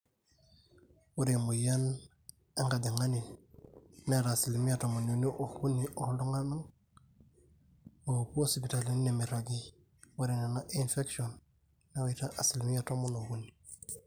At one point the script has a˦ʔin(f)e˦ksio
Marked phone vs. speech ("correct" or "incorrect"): correct